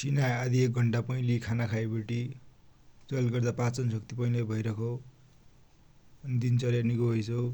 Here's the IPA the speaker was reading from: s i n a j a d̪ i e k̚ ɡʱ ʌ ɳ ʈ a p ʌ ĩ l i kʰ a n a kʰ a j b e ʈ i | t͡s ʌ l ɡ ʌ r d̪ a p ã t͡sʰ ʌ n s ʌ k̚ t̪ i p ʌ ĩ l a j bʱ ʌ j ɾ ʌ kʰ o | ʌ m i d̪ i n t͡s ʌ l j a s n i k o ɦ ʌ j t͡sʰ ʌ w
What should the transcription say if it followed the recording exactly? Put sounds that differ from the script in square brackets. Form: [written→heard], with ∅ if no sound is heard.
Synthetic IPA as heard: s i n a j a d̪ i e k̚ ɡʱ ʌ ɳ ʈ a p ʌ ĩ l i kʰ a n a kʰ a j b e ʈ i | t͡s ʌ l ɡ ʌ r d̪ a p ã [t͡sʰ→t͡s] ʌ n s ʌ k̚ t̪ i p ʌ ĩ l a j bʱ ʌ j ɾ ʌ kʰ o | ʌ [m→n] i d̪ i n t͡s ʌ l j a [s→∅] n i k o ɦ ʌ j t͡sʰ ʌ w

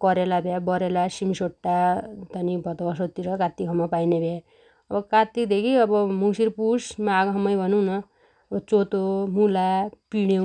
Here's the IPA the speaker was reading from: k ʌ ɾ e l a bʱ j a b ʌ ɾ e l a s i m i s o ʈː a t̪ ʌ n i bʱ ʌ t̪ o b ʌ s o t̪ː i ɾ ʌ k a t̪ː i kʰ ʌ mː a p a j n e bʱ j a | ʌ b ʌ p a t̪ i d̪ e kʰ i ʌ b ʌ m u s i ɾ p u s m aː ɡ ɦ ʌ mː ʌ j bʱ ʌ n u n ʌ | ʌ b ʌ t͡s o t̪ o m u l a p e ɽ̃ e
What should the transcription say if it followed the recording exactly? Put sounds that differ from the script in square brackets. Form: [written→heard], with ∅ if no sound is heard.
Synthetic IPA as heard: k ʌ ɾ e l a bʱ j a b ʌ ɾ e l a s i m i s o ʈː a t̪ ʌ n i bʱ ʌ t̪ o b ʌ s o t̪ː i ɾ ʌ k a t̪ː i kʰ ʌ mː a p a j n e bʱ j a | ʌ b ʌ [p→k] a t̪ i d̪ e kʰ i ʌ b ʌ m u s i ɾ p u s m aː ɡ ɦ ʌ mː ʌ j bʱ ʌ n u n ʌ | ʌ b ʌ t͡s o t̪ o m u l a p [e→i] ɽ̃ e

